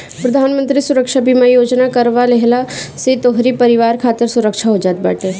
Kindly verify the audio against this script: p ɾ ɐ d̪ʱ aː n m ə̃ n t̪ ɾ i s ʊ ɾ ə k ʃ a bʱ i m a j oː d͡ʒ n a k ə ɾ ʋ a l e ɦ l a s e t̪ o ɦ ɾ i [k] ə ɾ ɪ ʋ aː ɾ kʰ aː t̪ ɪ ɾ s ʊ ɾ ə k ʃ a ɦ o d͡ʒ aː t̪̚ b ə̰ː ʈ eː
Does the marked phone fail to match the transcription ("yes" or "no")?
yes